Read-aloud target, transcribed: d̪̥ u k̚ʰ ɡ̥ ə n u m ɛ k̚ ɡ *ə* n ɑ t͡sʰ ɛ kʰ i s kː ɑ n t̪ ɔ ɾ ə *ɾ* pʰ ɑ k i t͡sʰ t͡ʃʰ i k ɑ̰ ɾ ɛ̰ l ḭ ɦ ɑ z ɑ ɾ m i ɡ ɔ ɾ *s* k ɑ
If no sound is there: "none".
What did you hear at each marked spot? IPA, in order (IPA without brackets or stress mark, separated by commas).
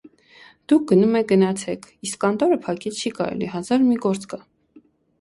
ə, none, t͡s